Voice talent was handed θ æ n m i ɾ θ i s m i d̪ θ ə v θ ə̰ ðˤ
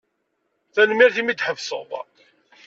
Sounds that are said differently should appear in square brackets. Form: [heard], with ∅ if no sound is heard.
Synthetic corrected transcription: θ æ n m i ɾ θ i [∅] m i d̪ [ħ] ə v [s] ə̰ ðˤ